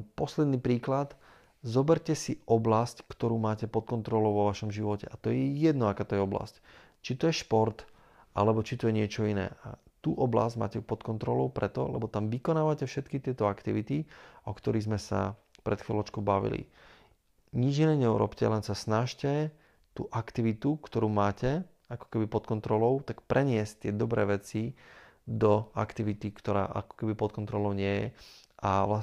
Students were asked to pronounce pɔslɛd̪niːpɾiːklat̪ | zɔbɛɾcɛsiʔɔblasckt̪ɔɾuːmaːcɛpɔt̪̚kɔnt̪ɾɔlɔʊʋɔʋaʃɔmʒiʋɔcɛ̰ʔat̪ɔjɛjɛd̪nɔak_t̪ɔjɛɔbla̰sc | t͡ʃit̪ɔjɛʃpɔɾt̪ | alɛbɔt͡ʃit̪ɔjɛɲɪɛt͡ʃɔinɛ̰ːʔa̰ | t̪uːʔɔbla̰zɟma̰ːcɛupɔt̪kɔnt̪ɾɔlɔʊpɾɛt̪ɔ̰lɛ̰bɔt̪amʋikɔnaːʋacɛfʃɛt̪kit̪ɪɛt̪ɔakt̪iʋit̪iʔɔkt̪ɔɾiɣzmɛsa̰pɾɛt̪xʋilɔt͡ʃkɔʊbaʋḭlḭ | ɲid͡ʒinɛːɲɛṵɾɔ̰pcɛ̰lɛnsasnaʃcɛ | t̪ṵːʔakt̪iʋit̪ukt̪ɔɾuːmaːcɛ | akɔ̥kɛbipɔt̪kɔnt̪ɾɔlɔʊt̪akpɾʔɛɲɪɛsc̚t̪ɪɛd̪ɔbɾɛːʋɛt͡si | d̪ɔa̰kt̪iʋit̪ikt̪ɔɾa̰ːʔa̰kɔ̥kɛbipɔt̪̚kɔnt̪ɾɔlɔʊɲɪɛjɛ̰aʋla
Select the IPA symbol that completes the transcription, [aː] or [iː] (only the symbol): aː